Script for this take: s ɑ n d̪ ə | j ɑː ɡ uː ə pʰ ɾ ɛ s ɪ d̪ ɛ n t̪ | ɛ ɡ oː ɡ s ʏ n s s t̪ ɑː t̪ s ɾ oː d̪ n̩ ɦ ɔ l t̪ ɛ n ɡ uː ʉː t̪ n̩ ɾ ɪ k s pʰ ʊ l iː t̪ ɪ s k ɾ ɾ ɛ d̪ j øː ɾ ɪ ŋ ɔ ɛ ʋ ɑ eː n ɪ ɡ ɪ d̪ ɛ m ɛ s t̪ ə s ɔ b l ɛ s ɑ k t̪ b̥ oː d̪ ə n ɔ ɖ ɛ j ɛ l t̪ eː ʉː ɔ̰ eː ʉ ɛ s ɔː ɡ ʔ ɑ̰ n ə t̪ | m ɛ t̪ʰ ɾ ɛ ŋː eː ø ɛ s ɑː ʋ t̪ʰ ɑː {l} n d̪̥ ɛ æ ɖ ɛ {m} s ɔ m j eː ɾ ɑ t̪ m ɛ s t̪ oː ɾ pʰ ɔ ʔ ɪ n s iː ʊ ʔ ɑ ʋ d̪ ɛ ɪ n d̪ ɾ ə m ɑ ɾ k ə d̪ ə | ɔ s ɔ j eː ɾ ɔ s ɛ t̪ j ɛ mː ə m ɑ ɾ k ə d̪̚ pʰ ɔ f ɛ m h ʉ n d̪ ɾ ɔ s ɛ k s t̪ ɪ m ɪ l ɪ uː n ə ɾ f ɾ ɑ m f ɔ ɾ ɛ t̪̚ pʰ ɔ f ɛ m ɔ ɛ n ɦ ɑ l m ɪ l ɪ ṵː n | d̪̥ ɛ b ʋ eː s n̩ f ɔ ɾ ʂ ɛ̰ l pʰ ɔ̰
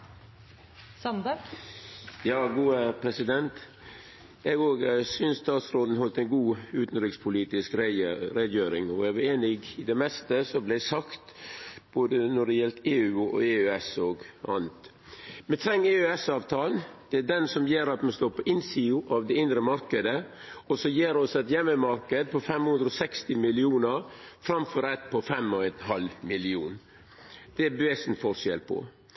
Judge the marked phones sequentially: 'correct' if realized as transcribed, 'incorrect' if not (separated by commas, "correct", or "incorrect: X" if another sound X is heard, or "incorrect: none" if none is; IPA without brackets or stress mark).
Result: correct, incorrect: n